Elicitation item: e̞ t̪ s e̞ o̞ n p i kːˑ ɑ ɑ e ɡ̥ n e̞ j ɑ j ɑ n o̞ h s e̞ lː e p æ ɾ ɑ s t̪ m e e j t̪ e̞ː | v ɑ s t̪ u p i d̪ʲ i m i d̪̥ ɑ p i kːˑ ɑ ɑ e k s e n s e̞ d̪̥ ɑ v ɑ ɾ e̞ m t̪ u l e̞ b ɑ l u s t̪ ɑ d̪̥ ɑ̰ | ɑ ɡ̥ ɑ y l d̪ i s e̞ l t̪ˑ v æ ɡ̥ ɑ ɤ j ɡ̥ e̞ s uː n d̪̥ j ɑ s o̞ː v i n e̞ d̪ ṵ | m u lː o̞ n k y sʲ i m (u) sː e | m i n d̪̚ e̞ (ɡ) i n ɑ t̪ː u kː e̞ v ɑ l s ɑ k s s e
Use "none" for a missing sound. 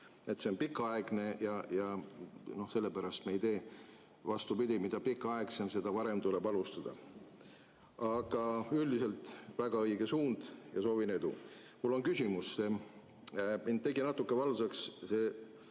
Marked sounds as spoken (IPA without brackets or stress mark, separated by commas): u, ɡ